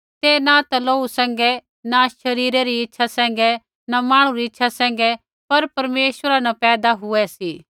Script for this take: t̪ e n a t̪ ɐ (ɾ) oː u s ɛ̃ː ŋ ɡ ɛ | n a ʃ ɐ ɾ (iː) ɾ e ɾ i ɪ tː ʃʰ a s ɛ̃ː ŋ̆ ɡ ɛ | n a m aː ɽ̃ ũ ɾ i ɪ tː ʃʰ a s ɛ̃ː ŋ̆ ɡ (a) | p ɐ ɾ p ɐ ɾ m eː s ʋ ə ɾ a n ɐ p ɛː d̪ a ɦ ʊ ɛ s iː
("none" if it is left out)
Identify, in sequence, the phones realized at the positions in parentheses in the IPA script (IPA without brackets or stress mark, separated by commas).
l, iː, ɛ